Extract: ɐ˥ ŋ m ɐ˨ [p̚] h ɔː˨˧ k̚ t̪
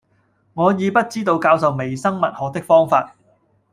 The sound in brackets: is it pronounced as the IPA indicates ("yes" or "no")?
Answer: no